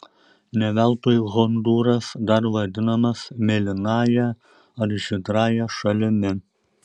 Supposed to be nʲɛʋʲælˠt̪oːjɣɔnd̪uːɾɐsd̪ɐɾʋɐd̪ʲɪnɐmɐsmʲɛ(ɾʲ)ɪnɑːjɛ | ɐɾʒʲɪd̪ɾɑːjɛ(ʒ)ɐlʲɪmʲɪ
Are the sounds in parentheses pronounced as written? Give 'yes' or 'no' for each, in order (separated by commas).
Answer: no, no